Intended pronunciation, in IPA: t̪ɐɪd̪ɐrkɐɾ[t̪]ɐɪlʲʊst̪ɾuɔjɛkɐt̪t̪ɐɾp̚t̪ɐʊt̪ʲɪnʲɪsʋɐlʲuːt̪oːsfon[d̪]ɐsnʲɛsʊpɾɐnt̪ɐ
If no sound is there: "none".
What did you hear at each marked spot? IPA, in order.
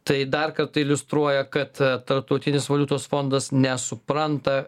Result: t̪, d̪

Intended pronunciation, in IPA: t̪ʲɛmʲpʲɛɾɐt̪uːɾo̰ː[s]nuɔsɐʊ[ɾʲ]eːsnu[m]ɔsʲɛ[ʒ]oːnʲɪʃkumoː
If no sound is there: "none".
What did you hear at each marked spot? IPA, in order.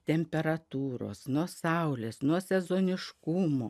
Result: s, lʲ, none, z

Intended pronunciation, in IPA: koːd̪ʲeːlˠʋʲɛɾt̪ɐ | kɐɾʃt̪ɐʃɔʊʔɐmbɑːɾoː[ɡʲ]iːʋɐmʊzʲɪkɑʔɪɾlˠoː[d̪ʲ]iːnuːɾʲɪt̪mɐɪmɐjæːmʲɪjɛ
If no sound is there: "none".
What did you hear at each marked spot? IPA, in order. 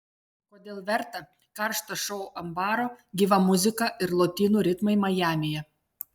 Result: ɡʲ, t̪ʲ

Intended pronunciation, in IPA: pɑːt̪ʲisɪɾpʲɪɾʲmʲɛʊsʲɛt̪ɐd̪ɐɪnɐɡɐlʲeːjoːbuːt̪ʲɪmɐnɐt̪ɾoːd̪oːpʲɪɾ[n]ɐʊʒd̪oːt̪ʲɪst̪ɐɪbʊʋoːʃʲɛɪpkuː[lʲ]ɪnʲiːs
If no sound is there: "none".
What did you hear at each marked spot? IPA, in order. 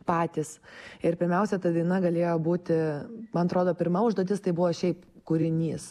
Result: m, ɾʲ

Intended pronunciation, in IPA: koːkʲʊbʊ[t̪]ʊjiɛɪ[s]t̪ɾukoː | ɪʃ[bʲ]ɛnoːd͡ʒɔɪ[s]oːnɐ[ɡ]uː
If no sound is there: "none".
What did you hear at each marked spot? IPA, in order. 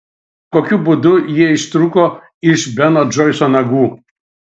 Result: d̪, ʃ, bʲ, s, ɡ

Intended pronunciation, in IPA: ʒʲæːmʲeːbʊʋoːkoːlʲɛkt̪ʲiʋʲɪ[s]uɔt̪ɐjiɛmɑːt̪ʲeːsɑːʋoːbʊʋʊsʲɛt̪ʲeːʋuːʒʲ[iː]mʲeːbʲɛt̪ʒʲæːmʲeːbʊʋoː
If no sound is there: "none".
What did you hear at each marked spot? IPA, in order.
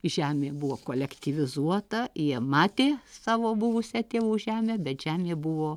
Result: z, æː

